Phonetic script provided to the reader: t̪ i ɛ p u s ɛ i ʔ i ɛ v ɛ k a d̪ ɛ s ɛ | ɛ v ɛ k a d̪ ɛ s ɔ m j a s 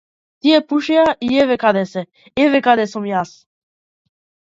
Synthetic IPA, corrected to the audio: t̪ i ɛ p u ʃ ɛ a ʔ i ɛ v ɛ k a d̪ ɛ s ɛ | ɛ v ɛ k a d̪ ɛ s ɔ m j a s